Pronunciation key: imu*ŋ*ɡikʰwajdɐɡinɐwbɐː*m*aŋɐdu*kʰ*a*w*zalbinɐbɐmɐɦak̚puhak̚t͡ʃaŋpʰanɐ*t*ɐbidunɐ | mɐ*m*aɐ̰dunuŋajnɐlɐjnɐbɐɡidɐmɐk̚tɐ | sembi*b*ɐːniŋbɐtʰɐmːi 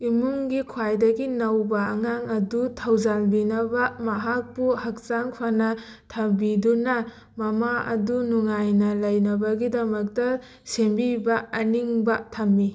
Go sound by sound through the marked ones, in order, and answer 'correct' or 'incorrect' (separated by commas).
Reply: correct, incorrect, incorrect, correct, incorrect, correct, correct